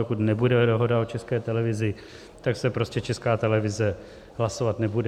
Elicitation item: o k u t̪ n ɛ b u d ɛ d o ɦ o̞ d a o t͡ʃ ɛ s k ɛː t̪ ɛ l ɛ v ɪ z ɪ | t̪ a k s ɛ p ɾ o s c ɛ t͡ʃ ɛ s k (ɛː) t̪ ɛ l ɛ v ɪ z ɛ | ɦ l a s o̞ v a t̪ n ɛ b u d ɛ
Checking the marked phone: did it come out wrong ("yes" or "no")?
yes